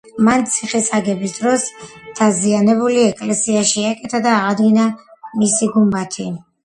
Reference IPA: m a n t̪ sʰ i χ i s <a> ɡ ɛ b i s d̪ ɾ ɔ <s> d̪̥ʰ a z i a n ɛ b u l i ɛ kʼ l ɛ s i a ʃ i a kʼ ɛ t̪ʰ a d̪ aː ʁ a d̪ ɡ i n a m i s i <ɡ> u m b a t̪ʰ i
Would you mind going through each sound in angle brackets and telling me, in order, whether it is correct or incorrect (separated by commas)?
correct, correct, correct